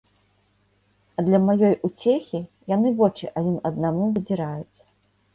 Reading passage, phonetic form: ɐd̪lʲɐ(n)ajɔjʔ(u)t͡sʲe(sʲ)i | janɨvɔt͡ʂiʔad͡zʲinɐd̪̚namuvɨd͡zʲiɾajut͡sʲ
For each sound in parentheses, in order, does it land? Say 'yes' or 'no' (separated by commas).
no, yes, no